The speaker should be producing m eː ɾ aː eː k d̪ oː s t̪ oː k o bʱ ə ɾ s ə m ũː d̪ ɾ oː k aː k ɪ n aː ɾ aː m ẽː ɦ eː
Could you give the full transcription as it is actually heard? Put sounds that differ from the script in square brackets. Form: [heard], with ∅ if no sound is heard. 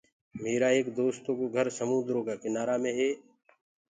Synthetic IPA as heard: m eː ɾ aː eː k d̪ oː s t̪ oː k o [ɡʱ] ə ɾ s ə m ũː d̪ ɾ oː k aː k ɪ n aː ɾ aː m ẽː ɦ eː